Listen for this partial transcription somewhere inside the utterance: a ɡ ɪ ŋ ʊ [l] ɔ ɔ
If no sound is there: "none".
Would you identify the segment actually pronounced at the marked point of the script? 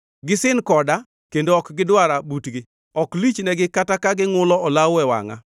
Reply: l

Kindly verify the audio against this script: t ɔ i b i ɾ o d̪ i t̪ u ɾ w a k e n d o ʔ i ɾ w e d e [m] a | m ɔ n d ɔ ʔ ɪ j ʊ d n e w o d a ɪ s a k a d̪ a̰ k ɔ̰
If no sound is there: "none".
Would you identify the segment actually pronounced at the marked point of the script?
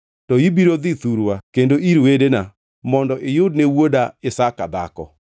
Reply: n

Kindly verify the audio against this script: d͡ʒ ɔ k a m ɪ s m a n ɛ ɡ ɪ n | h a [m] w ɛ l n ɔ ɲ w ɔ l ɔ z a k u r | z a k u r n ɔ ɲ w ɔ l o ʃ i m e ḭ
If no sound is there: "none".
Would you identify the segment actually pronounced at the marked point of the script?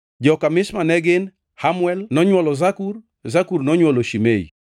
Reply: m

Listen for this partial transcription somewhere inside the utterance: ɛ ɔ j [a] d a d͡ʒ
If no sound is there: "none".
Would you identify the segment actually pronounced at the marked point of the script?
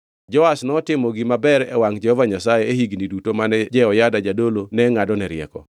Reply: a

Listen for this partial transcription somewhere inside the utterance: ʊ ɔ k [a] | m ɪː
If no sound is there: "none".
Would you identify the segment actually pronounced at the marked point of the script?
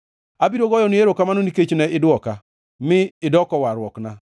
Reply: a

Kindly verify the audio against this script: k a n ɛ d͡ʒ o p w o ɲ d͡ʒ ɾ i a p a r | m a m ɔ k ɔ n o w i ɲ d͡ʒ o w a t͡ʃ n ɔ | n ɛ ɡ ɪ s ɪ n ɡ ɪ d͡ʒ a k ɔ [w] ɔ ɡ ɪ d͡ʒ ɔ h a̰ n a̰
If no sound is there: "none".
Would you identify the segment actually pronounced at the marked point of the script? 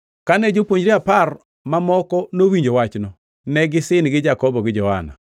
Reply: b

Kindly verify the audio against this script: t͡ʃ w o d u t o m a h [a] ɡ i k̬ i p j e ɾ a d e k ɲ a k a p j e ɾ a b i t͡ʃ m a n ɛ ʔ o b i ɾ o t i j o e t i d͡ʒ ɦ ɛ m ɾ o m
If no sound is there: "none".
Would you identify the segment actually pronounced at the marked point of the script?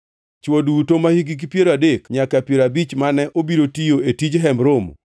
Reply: i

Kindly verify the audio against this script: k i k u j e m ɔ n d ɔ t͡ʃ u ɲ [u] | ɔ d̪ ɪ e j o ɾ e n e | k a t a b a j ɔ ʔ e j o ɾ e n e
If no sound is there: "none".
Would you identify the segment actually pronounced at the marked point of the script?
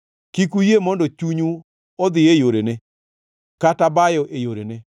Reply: u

